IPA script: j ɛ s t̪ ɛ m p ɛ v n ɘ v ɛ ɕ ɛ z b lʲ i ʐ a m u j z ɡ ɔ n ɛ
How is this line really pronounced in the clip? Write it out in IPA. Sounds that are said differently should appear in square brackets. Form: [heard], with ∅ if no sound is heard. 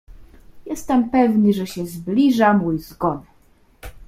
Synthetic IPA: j ɛ s t̪ ɛ m p ɛ v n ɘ [ʐ] ɛ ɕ ɛ z b lʲ i ʐ a m u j z ɡ ɔ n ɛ

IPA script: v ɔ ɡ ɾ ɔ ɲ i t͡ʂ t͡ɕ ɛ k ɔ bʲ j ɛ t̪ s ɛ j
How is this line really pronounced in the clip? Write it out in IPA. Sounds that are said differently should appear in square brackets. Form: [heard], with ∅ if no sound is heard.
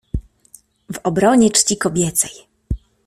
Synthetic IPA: v ɔ [b] ɾ ɔ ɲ [ɛ] t͡ʂ t͡ɕ [i] k ɔ bʲ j ɛ t̪ s ɛ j

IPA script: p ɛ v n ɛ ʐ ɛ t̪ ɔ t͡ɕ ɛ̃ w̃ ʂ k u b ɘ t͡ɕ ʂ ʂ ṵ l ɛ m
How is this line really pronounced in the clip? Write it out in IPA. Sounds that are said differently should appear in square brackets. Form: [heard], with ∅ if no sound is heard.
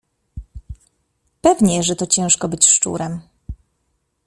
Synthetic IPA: p ɛ v [ɲ] ɛ ʐ ɛ t̪ ɔ t͡ɕ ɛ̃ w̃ ʂ k [ɔ] b ɘ t͡ɕ ʂ [t͡ʂ] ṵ [ɾ] ɛ m

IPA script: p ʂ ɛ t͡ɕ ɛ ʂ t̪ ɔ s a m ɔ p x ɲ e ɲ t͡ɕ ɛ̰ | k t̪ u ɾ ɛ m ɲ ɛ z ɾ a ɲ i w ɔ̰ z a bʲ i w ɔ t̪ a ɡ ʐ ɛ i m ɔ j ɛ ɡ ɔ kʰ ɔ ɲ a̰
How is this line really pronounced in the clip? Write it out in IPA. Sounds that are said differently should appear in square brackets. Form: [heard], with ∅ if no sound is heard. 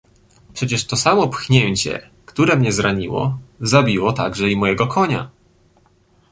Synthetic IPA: p ʂ ɛ t͡ɕ ɛ ʂ t̪ ɔ s a m ɔ p x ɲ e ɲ t͡ɕ ɛ̰ | k t̪ u ɾ ɛ m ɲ ɛ z ɾ a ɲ i w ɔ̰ z a bʲ i w ɔ t̪ a ɡ ʐ ɛ i m ɔ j ɛ ɡ ɔ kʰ ɔ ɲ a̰

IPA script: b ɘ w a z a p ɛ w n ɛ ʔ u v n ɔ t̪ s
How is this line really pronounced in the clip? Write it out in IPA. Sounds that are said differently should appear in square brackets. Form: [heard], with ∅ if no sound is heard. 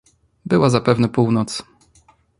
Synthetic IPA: b ɘ w a z a p ɛ [v] n ɛ [p] u [w] n ɔ t̪ s

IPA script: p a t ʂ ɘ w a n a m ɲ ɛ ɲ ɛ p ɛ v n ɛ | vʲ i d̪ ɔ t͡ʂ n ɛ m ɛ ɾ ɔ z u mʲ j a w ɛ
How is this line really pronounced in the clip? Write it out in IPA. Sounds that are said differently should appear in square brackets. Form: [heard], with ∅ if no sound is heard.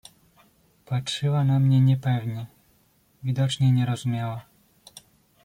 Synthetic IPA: p a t ʂ ɘ w a n a m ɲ ɛ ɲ ɛ p ɛ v [ɲ] ɛ | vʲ i d̪ ɔ t͡ʂ [ɲ] ɛ [ɲ] ɛ ɾ ɔ z u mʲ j a w [a]

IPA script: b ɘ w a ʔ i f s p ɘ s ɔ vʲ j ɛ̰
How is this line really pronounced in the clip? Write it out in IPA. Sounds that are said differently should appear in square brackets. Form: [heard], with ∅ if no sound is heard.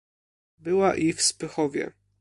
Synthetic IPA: b ɘ w a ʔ i f s p ɘ [x] ɔ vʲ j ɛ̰

